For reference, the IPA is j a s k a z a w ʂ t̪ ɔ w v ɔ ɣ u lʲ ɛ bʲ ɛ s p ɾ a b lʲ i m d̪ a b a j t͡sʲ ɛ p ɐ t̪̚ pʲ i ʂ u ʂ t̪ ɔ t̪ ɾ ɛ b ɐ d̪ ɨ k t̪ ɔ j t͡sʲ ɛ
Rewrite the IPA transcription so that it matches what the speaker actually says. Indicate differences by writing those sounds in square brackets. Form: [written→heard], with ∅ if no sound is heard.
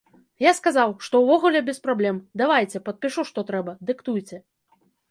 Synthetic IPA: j a s k a z a w ʂ t̪ ɔ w v ɔ ɣ u lʲ ɛ bʲ ɛ s p ɾ a b lʲ [i→ɛ] m d̪ a [b→v] a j t͡sʲ ɛ p ɐ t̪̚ pʲ i ʂ u ʂ t̪ ɔ t̪ ɾ ɛ b ɐ d̪ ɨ k t̪ [ɔ→u] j t͡sʲ ɛ